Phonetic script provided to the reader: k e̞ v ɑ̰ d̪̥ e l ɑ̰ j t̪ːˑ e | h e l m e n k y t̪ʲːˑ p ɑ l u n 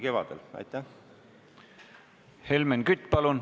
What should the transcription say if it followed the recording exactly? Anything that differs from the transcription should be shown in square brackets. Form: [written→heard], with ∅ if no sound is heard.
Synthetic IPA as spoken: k e̞ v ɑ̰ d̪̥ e l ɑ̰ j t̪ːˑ [e→æ] | h e l m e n k y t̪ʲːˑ p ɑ l u n